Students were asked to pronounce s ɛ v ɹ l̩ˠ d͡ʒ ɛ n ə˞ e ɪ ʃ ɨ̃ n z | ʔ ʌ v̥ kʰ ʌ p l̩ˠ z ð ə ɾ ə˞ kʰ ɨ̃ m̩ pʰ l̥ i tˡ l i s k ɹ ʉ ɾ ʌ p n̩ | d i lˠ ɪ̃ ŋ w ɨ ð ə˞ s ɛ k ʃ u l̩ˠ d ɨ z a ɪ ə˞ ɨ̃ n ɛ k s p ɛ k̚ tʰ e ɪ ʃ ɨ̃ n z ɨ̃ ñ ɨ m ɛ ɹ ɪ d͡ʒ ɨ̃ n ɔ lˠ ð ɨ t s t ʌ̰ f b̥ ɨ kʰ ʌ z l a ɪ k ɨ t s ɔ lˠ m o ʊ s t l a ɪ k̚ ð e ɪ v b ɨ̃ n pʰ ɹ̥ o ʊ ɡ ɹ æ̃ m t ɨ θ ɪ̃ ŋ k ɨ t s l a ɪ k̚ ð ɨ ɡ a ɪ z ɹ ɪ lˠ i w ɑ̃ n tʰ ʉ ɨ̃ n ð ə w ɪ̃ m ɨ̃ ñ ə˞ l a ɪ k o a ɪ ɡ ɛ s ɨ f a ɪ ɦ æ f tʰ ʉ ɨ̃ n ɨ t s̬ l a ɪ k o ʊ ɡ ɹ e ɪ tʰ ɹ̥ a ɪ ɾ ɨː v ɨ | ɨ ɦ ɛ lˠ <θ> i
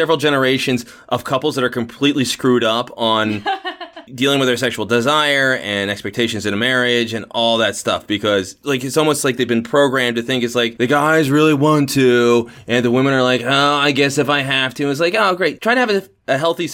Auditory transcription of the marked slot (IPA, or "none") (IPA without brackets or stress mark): θ